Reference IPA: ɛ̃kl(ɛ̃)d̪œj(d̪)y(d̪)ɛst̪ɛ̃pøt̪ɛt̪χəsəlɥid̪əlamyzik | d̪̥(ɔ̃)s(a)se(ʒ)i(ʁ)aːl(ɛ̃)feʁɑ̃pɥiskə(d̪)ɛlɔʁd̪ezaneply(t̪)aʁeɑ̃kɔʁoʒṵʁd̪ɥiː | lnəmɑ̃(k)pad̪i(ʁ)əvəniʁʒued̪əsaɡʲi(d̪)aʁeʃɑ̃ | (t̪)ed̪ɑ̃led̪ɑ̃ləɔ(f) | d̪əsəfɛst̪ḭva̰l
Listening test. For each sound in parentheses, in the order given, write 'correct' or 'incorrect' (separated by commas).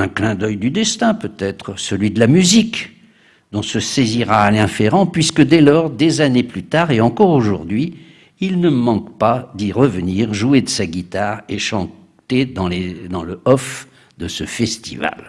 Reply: correct, correct, correct, correct, incorrect, incorrect, correct, correct, correct, correct, correct, correct, incorrect, correct, correct